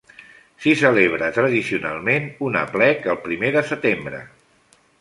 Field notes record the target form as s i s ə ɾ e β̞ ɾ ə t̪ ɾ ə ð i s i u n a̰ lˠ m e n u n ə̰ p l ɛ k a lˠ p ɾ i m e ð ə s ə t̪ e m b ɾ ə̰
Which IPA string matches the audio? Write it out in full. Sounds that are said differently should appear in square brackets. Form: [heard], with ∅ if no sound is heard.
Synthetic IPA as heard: s i s ə [l] e β̞ ɾ ə t̪ ɾ ə ð i s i u n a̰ lˠ m e n u n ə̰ p l ɛ k [ə] lˠ p ɾ i m e ð ə s ə t̪ e m b ɾ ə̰